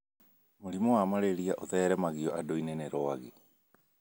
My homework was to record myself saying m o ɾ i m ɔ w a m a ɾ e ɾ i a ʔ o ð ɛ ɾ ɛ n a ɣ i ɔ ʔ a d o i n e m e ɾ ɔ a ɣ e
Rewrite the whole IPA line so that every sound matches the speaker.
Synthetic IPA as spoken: m o ɾ i m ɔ w a m a ɾ e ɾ i a ʔ o ð ɛ ɾ ɛ m a ɣ i ɔ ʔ a d o i n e n e ɾ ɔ a ɣ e